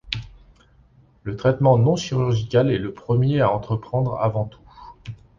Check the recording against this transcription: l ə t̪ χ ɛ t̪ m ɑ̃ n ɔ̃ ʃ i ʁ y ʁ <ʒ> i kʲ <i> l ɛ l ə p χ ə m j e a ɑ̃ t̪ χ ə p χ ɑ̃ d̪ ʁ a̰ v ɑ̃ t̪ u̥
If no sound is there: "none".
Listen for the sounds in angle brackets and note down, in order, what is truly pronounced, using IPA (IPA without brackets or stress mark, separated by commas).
ʒ, a